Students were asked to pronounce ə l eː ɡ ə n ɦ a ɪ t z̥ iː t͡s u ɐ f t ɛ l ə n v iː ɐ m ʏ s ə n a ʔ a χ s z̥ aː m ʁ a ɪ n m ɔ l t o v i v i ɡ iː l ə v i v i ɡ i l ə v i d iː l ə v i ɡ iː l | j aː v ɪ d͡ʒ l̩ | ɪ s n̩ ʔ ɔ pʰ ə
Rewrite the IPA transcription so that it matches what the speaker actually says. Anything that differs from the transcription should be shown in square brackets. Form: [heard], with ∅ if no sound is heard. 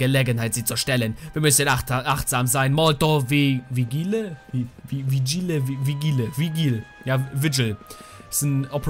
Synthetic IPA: ə l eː ɡ ə n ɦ a ɪ t z̥ iː t͡s u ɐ [ʃ] t ɛ l ə n v iː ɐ m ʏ s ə n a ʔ a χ [t] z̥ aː m [z] a ɪ n m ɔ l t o v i v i ɡ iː l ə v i v i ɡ i l ə v i [ɡ] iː l ə v i ɡ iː l | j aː v ɪ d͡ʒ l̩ | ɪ s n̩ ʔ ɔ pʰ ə